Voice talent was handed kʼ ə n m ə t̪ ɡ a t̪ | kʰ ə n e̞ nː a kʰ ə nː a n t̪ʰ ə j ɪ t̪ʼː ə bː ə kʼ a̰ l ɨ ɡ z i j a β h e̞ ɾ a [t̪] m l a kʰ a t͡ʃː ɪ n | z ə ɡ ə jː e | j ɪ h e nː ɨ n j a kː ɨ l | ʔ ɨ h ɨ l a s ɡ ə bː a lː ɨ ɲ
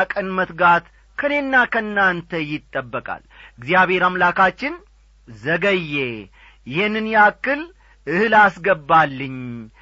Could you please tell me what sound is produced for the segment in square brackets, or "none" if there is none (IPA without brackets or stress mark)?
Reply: none